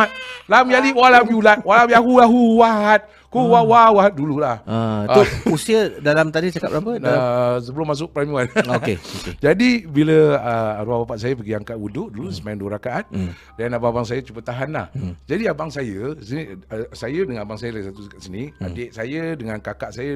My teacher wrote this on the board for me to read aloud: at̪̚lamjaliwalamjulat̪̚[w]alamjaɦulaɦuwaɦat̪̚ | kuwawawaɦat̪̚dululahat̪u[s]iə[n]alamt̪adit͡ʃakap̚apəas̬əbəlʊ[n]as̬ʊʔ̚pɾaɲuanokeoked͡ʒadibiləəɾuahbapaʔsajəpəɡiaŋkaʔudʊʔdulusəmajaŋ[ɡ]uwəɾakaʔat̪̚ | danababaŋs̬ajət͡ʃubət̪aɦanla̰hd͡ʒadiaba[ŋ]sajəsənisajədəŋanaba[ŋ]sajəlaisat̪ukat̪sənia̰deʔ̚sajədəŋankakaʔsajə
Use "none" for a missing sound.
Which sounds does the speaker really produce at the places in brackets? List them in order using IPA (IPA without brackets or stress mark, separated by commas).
w, s, d, m, d, ŋ, ŋ